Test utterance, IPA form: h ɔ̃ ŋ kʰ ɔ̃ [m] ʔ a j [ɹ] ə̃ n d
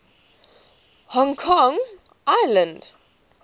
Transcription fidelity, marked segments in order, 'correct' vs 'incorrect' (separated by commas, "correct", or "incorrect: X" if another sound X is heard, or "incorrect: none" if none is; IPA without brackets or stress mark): incorrect: ŋ, incorrect: l